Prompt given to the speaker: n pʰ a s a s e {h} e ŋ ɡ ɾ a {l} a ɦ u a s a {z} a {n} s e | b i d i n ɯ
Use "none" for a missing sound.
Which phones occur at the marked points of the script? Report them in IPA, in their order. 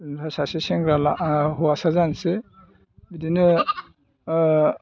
s, l, z, n

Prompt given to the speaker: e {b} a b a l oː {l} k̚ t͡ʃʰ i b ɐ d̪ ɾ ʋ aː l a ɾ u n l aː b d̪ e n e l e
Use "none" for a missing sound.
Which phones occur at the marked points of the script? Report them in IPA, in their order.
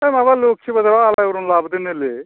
m, none

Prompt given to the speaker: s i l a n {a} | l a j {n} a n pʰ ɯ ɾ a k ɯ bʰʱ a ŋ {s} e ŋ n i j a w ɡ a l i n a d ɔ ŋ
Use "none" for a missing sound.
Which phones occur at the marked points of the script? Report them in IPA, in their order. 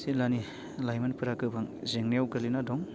i, m, z

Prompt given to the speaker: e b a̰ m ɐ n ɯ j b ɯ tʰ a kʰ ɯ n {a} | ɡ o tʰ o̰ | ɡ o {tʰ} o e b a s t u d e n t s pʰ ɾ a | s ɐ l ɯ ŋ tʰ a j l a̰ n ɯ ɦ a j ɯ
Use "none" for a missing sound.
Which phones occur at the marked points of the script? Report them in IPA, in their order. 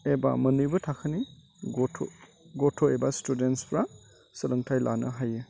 i, tʰ

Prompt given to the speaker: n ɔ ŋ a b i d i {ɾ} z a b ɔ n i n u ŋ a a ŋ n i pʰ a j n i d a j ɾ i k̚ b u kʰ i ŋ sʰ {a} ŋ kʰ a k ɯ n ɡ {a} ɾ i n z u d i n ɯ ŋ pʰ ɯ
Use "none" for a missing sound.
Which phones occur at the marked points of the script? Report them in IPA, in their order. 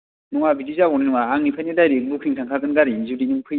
none, a, a

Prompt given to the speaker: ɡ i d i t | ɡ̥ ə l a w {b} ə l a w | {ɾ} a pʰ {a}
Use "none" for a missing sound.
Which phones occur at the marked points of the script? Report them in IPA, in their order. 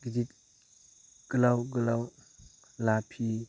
ɡ, l, i

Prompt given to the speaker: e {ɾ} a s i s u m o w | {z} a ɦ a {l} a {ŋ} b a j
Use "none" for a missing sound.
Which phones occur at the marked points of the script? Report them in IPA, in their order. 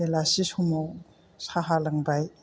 l, s, l, ŋ

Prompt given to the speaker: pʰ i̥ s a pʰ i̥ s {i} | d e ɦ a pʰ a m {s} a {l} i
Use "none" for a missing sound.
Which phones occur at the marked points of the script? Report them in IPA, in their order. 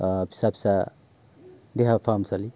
a, s, l

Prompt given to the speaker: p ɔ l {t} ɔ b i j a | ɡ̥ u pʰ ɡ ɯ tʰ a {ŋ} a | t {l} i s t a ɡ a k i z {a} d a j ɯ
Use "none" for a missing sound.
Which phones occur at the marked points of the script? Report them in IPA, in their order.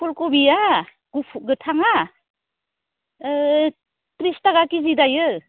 k, ŋ, ɾ, i

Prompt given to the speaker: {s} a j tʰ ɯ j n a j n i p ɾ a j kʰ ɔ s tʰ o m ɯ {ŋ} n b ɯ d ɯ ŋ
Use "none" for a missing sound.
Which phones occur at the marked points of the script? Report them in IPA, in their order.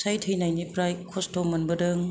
s, none

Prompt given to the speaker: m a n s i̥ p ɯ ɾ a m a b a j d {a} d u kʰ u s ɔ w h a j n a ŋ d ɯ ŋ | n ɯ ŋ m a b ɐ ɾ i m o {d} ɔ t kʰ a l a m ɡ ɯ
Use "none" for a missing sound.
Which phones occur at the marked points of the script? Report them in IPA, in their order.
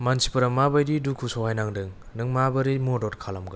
i, d

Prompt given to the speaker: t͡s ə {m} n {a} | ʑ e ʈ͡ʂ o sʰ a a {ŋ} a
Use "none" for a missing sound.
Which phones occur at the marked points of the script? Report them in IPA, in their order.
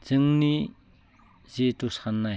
ŋ, i, n

